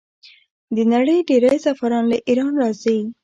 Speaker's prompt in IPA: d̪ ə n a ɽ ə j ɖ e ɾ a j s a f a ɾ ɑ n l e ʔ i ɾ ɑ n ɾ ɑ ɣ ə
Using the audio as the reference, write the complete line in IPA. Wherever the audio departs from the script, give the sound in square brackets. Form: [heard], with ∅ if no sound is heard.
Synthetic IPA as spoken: d̪ ə n a ɽ ə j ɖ e ɾ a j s a f a ɾ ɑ n l [a] ʔ i ɾ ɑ n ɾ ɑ [z] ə